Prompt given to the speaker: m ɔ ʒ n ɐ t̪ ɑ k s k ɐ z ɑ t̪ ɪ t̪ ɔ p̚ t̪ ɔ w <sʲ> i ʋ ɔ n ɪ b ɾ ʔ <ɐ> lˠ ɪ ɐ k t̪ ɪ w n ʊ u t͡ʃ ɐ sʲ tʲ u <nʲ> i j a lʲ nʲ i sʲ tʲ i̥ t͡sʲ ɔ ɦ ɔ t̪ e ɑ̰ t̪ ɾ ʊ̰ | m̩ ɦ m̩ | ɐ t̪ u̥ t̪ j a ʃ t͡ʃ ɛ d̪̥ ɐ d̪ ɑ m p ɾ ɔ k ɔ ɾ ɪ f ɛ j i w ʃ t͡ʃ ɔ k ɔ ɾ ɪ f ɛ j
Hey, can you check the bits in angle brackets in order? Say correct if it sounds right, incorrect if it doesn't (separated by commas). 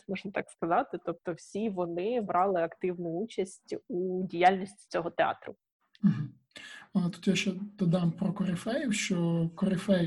correct, incorrect, incorrect